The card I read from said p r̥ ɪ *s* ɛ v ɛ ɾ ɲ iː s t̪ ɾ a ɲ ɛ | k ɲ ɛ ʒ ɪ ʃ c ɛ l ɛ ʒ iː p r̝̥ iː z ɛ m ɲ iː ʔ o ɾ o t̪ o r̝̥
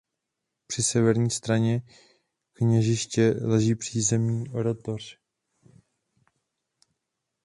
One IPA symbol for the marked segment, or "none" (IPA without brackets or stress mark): s